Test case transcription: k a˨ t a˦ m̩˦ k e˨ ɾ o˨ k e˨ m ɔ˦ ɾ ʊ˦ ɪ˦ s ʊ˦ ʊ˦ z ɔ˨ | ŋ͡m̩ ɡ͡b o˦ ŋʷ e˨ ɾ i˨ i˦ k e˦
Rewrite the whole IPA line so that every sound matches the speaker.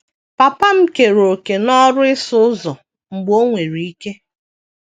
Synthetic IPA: p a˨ p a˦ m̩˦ k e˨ ɾ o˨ k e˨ n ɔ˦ ɾ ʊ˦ ɪ˦ s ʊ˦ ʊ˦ z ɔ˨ | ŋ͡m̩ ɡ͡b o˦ ŋʷ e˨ ɾ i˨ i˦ k e˦